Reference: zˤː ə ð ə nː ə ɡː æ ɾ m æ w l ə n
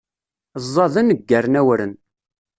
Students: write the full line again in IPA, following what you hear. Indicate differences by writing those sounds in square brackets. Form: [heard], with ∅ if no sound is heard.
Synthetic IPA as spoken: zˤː [ɑ] ð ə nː ə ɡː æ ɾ [n] æ w [ɾ] ə n

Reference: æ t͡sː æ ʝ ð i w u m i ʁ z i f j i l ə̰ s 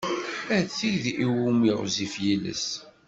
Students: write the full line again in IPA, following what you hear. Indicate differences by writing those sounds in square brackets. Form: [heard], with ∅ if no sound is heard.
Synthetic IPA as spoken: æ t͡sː [i] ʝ ð i w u m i ʁ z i f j i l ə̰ s

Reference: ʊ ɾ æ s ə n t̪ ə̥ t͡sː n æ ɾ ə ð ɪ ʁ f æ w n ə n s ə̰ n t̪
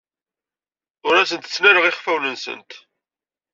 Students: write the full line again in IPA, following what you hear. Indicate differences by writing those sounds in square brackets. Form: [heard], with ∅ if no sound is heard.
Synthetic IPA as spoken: ʊ ɾ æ s ə n t̪ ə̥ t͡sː n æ ɾ ə [ʁ] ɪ [χ] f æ w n ə n s ə̰ n t̪

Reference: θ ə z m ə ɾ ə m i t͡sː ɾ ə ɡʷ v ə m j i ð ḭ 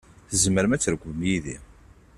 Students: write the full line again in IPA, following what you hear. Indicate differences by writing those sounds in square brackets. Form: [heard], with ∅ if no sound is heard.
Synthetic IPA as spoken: θ ə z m ə ɾ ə m [æ] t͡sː ɾ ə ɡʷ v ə m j i ð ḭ

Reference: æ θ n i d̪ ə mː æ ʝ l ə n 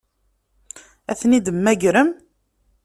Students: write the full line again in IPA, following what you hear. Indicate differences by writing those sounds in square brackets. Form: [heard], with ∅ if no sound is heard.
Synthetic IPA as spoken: æ θ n i d̪ ə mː æ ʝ [ɾ] ə [m]

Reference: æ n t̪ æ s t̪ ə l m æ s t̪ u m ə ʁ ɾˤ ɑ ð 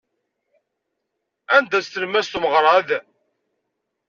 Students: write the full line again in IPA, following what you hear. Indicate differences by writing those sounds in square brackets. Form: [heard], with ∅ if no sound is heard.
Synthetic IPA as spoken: æ n [d̪] æ s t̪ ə l m æ s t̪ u m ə ʁ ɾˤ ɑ ð

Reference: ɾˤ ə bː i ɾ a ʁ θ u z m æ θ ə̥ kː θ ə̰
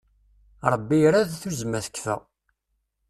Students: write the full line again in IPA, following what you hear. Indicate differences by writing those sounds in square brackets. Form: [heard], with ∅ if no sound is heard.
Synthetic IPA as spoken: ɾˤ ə bː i ɾ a [ð] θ u z m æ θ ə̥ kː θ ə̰

